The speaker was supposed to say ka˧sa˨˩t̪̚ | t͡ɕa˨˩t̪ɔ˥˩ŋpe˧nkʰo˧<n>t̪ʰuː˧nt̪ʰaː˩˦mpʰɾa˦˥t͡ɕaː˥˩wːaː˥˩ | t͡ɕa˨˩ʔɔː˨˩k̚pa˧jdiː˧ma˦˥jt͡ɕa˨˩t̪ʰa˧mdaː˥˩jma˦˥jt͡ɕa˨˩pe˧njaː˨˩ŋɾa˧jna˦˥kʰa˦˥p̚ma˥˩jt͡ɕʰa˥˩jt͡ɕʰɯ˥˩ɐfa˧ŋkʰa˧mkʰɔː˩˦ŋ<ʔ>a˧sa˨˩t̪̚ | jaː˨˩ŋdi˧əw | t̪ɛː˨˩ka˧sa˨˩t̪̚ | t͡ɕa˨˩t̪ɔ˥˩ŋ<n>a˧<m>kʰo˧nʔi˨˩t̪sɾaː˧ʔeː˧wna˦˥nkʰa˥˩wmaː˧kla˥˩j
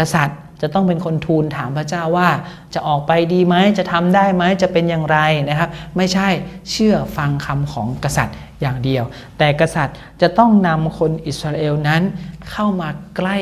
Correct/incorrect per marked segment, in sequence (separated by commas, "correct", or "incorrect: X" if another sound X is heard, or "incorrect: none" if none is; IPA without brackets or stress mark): correct, incorrect: k, correct, correct